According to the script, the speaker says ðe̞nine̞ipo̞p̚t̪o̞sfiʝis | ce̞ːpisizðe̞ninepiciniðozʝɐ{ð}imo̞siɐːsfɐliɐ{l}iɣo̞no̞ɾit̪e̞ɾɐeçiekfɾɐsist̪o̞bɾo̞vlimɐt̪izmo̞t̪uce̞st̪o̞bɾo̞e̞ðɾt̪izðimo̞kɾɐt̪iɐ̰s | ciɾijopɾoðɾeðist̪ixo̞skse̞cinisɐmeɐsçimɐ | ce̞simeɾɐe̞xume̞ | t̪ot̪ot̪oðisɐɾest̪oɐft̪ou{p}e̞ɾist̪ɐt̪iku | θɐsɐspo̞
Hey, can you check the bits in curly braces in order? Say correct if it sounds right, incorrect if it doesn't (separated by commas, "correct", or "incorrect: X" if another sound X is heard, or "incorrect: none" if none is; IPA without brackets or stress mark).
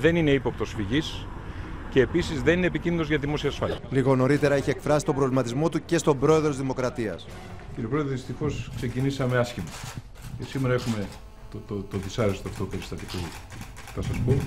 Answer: correct, correct, correct